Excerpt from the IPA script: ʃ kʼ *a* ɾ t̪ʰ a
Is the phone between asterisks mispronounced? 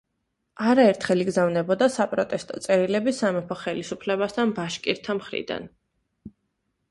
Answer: yes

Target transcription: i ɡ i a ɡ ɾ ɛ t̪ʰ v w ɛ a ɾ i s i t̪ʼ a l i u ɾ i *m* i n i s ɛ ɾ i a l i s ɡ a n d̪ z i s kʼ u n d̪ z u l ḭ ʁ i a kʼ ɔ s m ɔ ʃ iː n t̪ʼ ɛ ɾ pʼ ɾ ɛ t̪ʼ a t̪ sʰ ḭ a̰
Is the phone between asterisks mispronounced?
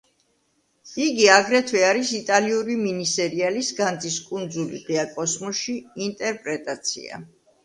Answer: no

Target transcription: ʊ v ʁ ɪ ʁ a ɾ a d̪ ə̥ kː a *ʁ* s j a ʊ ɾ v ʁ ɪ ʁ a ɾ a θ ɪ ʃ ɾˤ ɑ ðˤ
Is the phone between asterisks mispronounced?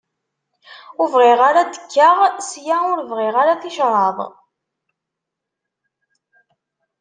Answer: no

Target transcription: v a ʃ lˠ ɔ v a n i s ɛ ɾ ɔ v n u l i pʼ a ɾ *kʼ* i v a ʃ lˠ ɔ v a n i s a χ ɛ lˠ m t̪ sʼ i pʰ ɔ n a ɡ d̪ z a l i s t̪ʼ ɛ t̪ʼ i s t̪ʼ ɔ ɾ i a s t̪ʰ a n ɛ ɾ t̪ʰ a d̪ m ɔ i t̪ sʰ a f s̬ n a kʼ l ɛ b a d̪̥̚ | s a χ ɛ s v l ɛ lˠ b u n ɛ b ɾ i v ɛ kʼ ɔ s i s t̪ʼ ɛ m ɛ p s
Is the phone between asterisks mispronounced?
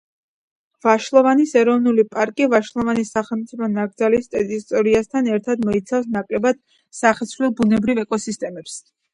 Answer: no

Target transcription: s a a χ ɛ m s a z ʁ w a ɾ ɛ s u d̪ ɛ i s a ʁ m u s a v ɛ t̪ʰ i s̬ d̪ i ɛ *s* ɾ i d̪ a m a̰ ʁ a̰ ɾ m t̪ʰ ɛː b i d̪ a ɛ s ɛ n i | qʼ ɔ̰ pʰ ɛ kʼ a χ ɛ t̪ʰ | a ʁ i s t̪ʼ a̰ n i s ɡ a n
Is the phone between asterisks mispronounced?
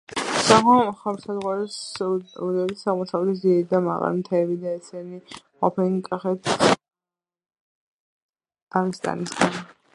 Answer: yes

